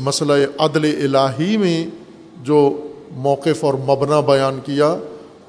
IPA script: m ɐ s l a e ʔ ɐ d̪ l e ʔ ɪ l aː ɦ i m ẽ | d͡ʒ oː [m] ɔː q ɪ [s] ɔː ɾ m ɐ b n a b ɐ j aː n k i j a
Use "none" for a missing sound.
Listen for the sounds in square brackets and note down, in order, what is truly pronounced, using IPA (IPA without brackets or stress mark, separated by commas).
m, f